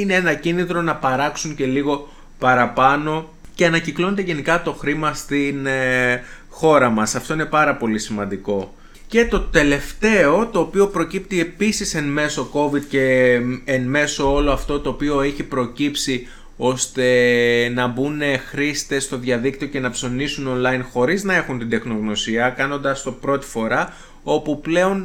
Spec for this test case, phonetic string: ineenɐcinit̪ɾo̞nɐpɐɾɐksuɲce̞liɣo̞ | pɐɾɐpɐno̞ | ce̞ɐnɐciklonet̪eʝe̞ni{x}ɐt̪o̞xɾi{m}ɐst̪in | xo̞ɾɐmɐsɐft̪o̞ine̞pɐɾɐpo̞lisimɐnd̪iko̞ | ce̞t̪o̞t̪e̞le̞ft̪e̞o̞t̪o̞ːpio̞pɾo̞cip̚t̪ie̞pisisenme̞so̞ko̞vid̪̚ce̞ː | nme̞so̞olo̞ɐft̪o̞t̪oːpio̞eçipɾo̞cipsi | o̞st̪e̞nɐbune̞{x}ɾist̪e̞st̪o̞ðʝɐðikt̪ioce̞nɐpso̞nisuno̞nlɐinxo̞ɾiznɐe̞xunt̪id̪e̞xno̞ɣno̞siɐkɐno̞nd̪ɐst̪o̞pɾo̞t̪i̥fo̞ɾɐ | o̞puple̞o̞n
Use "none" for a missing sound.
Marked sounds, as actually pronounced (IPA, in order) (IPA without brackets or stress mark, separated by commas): k, m, x